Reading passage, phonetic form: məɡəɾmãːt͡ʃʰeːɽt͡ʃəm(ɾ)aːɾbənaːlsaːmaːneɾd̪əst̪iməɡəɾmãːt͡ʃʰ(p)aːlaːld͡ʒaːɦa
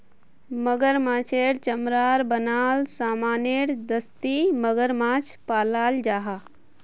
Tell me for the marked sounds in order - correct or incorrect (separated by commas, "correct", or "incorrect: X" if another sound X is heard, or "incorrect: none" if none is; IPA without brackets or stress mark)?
correct, correct